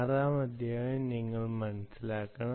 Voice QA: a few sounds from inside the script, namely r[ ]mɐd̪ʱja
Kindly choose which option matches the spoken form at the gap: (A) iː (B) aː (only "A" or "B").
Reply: B